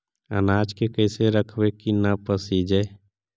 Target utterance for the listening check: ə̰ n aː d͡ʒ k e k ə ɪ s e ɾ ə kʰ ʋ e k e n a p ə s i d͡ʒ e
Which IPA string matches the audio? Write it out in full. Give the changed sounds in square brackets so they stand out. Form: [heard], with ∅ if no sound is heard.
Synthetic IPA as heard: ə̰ n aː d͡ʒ k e k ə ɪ s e ɾ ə kʰ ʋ e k [i] n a p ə s i d͡ʒ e